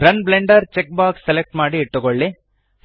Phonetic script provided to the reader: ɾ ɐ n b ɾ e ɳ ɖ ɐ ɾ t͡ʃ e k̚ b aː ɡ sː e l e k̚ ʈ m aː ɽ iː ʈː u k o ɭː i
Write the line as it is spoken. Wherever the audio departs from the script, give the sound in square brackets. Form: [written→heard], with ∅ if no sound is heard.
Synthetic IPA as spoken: ɾ ɐ n b [ɾ→l] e ɳ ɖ ɐ ɾ t͡ʃ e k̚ b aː [ɡ→k] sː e l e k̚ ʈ m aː ɽ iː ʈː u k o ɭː i